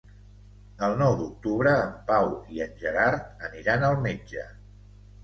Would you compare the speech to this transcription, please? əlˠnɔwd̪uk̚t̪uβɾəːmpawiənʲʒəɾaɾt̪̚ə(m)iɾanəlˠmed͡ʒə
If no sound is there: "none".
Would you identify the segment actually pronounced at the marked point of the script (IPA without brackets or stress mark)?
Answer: n